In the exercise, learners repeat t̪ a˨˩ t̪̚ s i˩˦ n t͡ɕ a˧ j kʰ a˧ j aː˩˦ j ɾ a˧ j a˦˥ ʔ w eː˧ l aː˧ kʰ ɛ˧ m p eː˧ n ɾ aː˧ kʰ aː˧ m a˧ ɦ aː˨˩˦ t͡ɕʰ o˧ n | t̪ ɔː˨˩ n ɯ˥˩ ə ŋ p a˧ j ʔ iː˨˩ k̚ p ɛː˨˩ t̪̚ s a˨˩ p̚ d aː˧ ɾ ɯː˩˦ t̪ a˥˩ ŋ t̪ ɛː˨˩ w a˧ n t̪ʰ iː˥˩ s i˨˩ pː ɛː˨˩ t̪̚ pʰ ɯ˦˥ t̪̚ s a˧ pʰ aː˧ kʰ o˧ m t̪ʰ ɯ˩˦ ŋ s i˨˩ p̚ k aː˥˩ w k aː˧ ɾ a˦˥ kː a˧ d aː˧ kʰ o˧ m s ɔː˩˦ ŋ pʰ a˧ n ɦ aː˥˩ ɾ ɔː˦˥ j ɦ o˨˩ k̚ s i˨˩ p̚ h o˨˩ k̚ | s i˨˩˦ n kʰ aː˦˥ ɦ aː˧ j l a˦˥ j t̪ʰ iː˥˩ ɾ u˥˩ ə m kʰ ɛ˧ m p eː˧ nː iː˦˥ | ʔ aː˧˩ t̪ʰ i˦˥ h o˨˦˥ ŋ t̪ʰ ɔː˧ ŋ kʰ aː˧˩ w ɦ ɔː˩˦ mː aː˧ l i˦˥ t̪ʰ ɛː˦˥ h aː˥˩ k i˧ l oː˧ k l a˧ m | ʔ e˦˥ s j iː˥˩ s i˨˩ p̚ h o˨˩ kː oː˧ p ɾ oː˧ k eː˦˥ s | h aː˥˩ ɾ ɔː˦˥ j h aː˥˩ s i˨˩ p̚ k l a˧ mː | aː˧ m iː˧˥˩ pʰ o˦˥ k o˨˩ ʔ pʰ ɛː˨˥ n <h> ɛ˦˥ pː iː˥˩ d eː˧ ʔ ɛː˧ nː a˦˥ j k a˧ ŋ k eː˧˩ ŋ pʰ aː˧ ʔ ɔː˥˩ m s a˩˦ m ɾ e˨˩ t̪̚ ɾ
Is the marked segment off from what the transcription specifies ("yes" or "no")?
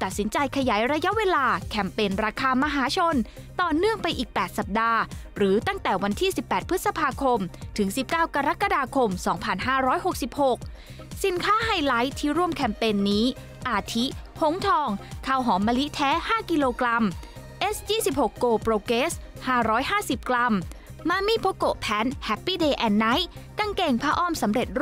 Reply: no